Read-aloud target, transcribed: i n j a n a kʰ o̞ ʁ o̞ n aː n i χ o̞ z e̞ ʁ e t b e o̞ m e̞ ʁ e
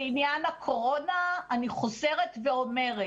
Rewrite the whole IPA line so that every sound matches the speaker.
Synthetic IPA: i n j a n a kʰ o̞ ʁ o̞ n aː n i χ o̞ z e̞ ʁ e t v e o̞ m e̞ ʁ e